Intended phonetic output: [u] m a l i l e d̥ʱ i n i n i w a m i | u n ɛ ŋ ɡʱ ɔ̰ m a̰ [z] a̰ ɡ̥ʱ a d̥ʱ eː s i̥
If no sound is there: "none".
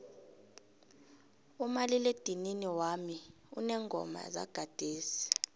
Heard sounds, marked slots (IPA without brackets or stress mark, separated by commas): u, z